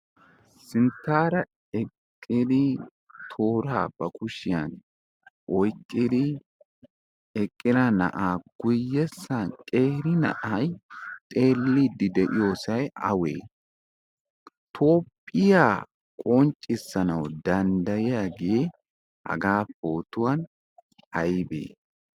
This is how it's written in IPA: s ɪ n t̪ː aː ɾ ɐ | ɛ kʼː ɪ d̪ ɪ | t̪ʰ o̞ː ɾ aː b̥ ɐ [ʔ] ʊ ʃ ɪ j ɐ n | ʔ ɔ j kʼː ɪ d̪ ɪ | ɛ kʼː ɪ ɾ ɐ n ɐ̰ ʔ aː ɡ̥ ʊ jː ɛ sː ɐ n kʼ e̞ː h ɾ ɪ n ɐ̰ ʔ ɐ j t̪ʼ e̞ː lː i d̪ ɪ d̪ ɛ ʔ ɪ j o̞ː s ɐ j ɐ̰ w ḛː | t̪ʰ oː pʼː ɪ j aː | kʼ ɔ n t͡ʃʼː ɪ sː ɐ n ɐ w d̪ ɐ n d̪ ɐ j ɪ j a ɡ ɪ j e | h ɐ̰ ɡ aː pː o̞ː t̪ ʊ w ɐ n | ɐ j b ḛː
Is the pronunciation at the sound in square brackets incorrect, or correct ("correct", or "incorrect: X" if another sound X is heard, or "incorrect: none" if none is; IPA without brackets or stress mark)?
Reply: incorrect: k